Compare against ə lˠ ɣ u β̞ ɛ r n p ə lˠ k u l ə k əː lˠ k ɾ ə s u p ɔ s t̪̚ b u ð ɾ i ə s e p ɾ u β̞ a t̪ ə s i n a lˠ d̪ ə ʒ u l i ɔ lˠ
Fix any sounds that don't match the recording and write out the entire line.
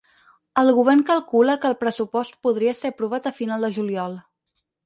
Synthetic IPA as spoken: ə lˠ ɣ u β̞ ɛ r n k ə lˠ k u l ə k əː lˠ p ɾ ə s u p ɔ s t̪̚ p u ð ɾ i ə s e p ɾ u β̞ a t̪ ə f i n a lˠ d̪ ə ʒ u l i ɔ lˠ